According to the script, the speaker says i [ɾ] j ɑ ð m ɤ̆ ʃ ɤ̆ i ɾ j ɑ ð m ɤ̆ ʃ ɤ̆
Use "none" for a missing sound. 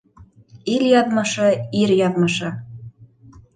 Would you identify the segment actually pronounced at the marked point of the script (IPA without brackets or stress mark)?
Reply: l